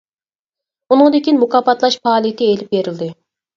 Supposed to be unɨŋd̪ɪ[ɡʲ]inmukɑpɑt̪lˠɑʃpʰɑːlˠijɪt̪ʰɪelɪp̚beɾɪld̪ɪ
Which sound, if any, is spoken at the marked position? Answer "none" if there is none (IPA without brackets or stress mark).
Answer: kʲ